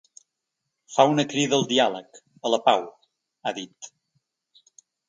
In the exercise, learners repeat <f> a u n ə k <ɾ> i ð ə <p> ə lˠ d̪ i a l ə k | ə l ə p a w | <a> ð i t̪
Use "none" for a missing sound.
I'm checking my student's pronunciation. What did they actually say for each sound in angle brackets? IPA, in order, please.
f, ɾ, none, a

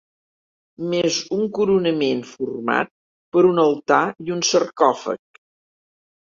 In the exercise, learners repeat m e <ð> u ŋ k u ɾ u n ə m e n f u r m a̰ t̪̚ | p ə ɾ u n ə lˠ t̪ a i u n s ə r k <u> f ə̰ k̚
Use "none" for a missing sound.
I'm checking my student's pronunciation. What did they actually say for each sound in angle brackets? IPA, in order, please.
z, ɔ

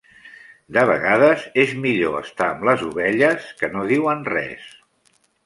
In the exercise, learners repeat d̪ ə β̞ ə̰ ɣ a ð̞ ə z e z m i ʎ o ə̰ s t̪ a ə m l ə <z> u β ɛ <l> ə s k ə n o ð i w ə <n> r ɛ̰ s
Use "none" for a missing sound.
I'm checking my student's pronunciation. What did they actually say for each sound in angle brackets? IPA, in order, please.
z, ʎ, n

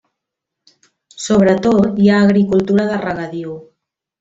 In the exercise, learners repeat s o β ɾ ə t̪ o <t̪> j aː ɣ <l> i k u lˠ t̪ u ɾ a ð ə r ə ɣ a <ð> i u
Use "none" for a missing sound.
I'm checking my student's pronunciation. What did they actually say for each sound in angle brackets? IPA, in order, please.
t̪, ɾ, ð

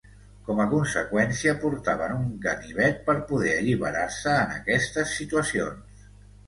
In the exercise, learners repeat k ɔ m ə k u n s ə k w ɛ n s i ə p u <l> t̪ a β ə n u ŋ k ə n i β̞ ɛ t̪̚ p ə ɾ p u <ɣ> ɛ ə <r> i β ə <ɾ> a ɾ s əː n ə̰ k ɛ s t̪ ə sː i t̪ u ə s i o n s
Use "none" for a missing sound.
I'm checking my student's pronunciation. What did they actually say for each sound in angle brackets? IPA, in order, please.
ɾ, ð, ʎ, ɾ

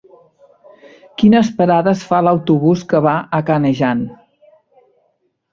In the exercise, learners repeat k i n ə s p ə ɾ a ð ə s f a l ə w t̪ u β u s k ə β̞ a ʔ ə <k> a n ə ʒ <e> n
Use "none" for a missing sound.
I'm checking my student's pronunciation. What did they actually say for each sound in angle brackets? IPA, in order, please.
k, a

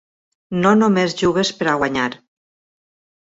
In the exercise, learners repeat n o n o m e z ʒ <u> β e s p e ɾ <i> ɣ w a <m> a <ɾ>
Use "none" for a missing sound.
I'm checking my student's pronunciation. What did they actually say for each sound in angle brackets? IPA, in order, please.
u, a, ɲ, ɾ

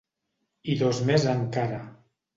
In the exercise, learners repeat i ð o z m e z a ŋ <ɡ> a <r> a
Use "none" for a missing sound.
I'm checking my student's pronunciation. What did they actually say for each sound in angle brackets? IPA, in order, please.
k, ɾ

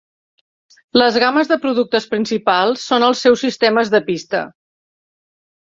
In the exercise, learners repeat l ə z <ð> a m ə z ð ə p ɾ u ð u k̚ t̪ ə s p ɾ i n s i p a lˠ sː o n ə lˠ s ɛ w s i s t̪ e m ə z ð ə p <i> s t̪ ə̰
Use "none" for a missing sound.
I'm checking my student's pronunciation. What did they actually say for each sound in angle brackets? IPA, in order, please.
ɣ, i

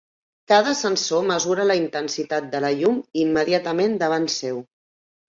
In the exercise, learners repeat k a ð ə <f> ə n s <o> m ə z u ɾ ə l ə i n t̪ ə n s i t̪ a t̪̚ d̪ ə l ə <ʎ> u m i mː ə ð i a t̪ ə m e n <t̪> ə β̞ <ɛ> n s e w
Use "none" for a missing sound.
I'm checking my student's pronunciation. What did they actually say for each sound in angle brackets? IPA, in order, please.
s, o, ʎ, d̪, a

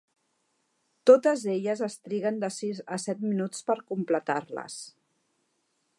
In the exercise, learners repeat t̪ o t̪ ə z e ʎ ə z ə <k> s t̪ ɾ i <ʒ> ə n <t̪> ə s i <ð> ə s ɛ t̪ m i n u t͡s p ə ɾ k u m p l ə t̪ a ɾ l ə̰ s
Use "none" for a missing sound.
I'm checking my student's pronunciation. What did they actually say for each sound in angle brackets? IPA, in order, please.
none, ɣ, d̪, z

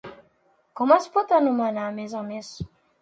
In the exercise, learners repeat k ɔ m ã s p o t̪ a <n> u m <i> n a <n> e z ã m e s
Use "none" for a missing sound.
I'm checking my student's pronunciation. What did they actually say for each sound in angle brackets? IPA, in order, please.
n, a, m

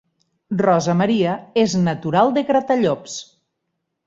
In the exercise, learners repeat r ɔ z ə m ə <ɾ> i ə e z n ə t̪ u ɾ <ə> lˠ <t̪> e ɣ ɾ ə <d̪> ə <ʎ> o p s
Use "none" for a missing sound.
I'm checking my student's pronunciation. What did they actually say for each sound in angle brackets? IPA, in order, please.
ɾ, a, d̪, t̪, ʎ

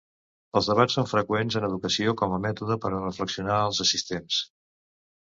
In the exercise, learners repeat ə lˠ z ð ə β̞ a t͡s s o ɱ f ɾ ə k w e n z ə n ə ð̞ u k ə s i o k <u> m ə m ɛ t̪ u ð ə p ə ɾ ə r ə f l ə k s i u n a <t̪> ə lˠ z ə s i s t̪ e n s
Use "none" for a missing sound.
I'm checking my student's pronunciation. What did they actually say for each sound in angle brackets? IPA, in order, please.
ɔ, none

